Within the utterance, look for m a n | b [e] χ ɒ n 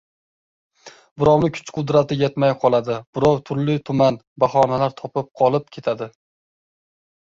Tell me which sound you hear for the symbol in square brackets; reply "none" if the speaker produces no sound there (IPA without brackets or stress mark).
a